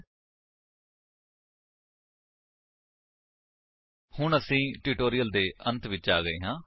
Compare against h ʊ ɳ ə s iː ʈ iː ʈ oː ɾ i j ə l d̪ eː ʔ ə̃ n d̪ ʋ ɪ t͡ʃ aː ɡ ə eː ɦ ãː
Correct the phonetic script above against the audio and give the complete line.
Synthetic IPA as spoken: h ʊ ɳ ə s ĩː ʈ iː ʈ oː ɾ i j ə l d̪ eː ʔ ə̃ n t̪ ʋ ɪ t͡ʃ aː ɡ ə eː ɦ ãː